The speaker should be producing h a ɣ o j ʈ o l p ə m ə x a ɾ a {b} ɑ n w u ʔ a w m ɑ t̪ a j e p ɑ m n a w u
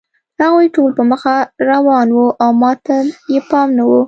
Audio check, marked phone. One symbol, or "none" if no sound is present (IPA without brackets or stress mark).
w